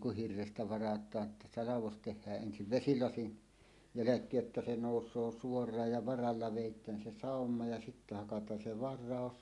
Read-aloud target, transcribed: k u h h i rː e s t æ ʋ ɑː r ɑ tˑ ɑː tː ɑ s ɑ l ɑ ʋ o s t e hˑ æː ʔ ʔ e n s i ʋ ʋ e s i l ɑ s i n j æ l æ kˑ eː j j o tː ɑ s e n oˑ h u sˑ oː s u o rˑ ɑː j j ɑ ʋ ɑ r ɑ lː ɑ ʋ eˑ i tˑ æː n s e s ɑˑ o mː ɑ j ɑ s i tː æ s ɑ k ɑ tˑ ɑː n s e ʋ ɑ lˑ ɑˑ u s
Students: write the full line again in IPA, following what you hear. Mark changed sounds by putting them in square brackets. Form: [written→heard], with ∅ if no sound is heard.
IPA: k u h h i rː e s t æ ʋ [ɑː→ɑ] r ɑ tˑ ɑː tː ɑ s ɑ l ɑ ʋ o s t e hˑ æː ʔ ʔ e n s i ʋ ʋ e s i l ɑ s i n j æ l æ kˑ eː j j o tː ɑ s e n oˑ [h→∅] u sˑ oː s u o rˑ ɑː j j ɑ ʋ ɑ r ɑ lː ɑ ʋ eˑ i tˑ æː n s e s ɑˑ o mː ɑ j ɑ s i tː æ [s→h] ɑ k ɑ tˑ ɑː n s e ʋ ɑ [lˑ→rˑ] ɑˑ [u→o] s